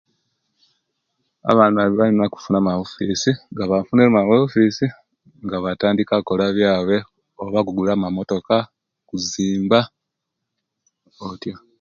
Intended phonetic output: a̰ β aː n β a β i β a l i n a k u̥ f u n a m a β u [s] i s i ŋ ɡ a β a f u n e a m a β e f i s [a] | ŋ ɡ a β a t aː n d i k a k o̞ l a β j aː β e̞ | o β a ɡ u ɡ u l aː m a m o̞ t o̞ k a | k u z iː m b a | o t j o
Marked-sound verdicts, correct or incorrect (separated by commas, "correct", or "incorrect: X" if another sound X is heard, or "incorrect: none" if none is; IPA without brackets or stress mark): incorrect: f, incorrect: i